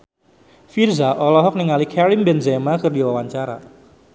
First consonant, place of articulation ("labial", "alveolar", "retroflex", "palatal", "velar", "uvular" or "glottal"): labial